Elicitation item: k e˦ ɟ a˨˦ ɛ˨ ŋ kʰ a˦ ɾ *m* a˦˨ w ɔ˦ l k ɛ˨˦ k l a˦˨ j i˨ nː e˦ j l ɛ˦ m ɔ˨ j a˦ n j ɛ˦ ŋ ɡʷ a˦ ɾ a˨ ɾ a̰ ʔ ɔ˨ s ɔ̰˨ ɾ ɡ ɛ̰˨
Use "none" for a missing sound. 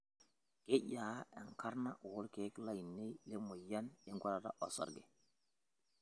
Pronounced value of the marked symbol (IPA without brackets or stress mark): n